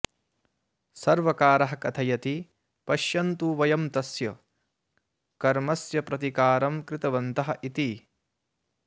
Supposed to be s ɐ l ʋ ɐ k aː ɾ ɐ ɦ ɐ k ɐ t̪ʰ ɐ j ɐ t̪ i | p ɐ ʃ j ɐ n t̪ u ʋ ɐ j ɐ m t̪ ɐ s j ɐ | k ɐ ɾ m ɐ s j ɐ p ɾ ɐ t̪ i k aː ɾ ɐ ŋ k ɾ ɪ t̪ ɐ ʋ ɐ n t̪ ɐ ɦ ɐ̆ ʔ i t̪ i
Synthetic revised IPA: s ɐ ɾ ʋ ɐ k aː ɾ ɐ ɦ ɐ k ɐ t̪ʰ ɐ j ɐ t̪ i | p ɐ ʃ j ɐ n t̪ u ʋ ɐ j ɐ m t̪ ɐ s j ɐ | k ɐ ɾ m ɐ s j ɐ p ɾ ɐ t̪ i k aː ɾ ɐ m k ɾ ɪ t̪ ɐ ʋ ɐ n t̪ ɐ ɦ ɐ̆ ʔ i t̪ i